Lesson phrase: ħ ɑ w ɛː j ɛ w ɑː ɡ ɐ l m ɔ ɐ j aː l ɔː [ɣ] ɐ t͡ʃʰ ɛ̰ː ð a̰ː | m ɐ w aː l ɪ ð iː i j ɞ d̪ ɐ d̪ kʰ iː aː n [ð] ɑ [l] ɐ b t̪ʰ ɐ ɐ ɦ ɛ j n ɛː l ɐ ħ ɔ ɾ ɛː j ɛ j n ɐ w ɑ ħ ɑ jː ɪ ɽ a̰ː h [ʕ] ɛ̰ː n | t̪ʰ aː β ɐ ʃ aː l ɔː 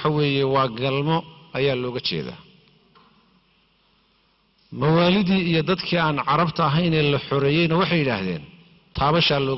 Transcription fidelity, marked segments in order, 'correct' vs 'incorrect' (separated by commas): correct, incorrect, incorrect, incorrect